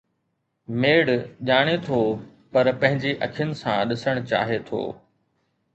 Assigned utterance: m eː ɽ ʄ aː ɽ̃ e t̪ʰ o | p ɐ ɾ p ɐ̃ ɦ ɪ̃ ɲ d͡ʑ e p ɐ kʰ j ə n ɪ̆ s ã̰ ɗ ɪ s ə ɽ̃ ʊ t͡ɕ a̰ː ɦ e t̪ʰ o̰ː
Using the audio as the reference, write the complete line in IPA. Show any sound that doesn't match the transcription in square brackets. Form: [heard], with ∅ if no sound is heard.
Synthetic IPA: m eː ɽ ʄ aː ɽ̃ e t̪ʰ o | p ɐ ɾ p ɐ̃ ɦ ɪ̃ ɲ d͡ʑ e [ʔ] ɐ kʰ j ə n ɪ̆ s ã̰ ɗ ɪ s ə ɽ̃ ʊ t͡ɕ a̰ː ɦ e t̪ʰ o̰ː